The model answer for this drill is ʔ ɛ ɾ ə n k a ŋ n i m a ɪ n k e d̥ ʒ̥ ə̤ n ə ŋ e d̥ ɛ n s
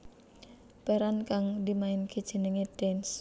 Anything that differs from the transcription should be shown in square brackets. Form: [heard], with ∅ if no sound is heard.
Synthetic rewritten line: [p] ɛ ɾ [a] n k a ŋ [d] i m a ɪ n k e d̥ ʒ̥ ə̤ n ə ŋ e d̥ ɛ n s